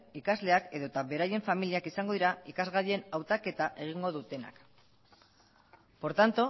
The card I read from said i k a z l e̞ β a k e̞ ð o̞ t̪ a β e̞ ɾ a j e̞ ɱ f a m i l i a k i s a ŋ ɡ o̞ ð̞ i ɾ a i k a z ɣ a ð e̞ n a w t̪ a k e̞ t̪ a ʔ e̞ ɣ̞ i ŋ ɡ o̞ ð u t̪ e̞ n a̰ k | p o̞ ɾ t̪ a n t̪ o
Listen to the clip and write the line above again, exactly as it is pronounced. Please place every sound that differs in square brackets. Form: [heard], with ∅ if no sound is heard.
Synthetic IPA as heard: i k a z l e̞ [∅] a k e̞ ð o̞ t̪ a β e̞ ɾ a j e̞ ɱ f a m i l i a k i s a ŋ ɡ o̞ ð̞ i ɾ a i k a z ɣ a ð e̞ n a w t̪ a k e̞ t̪ a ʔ e̞ ɣ̞ i ŋ ɡ o̞ ð u t̪ e̞ n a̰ k | p o̞ ɾ t̪ a n t̪ o